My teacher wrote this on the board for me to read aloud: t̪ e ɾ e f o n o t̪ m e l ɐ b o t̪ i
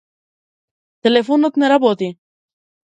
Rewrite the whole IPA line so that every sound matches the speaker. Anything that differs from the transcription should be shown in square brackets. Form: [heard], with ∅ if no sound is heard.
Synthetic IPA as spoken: t̪ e [l] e f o n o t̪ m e [ɾ] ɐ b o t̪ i